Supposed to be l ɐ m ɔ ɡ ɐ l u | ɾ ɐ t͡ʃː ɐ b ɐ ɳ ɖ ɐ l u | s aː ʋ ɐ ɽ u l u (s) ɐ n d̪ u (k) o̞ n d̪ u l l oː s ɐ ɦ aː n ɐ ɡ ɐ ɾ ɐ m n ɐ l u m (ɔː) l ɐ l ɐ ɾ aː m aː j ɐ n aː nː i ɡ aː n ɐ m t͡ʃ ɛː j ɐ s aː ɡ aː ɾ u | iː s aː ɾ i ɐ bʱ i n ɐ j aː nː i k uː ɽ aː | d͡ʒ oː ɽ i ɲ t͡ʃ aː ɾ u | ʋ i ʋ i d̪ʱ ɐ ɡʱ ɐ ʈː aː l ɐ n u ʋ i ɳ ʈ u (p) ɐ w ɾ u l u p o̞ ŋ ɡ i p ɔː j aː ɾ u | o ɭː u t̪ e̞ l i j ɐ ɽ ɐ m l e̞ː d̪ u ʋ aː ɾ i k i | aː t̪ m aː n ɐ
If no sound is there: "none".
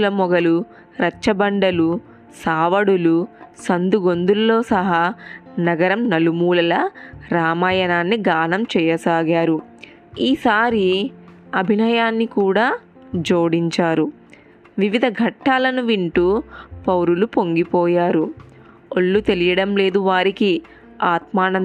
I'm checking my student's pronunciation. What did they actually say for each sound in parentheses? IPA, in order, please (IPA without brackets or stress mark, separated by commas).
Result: s, ɡ, uː, p